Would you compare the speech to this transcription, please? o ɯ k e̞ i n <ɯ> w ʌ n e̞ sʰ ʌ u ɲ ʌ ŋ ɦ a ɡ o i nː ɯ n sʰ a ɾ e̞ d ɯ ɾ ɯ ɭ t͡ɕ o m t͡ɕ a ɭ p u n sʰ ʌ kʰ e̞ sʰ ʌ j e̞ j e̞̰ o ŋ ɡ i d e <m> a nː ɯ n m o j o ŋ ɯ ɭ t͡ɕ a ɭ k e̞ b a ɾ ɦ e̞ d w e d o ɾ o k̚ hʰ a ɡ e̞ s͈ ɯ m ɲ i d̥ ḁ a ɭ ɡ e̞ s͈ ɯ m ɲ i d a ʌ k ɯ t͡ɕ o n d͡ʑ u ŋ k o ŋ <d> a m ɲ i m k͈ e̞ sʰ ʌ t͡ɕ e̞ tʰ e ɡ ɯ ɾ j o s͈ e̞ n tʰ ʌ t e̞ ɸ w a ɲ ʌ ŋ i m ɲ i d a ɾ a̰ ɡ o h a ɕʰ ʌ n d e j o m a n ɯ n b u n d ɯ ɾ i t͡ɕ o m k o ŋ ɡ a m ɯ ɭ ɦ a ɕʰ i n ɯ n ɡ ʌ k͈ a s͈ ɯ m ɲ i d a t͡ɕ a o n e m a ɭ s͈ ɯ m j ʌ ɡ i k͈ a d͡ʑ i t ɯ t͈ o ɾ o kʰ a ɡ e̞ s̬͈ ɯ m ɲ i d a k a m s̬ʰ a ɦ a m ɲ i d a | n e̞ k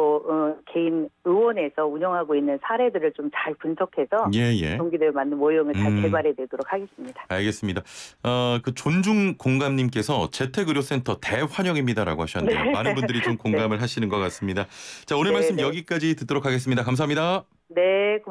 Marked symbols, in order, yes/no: yes, yes, no

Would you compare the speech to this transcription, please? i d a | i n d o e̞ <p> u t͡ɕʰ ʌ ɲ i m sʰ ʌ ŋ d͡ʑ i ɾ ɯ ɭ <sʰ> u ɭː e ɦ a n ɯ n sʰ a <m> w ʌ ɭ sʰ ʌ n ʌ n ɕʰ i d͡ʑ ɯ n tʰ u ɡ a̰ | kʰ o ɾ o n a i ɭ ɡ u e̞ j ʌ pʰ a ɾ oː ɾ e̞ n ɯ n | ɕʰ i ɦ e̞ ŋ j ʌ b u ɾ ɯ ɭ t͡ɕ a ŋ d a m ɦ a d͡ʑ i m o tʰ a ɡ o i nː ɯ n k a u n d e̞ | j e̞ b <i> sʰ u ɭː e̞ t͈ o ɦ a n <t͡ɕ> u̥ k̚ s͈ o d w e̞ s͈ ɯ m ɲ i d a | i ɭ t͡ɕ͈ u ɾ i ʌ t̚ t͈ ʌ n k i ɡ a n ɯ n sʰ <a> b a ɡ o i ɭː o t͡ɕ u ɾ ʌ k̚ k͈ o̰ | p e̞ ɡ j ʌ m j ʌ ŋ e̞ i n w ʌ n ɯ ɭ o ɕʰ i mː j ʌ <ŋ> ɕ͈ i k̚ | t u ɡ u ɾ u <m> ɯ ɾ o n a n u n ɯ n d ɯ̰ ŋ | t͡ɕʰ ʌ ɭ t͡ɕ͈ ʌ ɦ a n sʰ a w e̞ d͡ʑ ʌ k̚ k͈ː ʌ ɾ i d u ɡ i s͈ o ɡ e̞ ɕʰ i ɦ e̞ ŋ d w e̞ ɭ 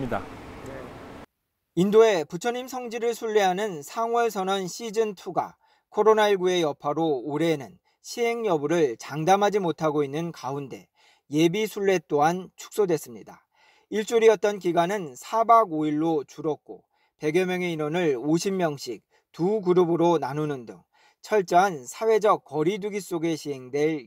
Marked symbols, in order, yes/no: yes, yes, no, yes, no, yes, yes, no

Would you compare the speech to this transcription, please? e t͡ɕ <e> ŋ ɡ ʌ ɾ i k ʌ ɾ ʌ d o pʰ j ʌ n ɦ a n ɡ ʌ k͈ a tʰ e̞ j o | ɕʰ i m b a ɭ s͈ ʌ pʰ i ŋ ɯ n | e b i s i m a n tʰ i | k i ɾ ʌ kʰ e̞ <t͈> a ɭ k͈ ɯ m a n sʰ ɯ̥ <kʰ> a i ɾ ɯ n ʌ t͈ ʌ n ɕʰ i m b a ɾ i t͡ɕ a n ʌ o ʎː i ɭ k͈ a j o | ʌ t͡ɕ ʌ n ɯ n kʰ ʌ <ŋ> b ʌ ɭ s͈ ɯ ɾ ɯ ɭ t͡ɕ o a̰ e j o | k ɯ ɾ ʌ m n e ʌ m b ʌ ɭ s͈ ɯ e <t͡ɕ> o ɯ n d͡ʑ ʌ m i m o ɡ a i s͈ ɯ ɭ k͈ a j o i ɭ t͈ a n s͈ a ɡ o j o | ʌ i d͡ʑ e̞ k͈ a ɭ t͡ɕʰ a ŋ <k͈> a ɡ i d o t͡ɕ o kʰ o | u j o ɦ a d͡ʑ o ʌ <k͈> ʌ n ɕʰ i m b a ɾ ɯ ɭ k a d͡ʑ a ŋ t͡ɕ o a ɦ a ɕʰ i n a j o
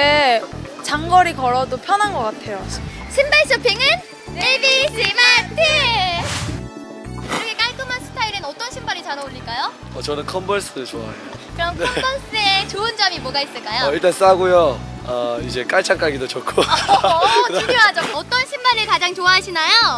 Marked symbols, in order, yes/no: no, no, no, no, yes, yes, no

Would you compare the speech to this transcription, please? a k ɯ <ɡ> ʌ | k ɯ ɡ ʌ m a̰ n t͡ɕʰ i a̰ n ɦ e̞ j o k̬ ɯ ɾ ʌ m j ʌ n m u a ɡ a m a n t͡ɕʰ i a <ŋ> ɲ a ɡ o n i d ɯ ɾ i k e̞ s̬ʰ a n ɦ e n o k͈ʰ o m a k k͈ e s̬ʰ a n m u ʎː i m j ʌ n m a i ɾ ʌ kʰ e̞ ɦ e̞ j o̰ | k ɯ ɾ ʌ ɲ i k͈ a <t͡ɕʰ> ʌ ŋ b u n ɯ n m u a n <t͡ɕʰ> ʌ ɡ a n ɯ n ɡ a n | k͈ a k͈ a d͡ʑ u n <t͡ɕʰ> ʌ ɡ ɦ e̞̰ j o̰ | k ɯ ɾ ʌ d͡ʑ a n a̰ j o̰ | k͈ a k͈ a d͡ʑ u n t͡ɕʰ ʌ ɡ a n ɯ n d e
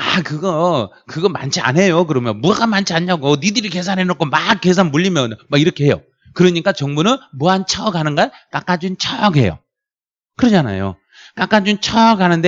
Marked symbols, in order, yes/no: yes, no, no, yes, yes

